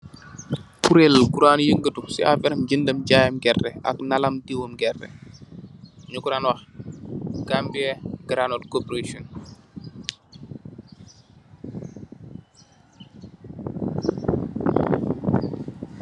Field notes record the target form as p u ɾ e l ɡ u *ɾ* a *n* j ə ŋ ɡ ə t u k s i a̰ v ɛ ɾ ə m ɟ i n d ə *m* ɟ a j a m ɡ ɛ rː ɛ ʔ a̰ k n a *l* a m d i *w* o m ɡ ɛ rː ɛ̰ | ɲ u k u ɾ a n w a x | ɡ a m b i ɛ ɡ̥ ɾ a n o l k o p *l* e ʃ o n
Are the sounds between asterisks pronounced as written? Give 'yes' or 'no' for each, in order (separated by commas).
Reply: yes, yes, yes, yes, yes, no